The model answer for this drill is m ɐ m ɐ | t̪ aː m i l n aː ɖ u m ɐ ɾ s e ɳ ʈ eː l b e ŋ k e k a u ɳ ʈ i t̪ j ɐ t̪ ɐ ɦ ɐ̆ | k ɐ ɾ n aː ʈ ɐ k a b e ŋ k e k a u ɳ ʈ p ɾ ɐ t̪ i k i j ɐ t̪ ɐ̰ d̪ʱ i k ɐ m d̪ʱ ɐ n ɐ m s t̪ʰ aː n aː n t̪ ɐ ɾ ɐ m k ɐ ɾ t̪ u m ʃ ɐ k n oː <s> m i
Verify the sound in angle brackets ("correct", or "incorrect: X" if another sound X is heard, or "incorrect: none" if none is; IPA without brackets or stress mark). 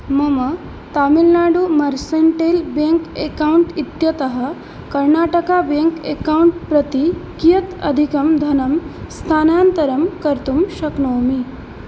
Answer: incorrect: none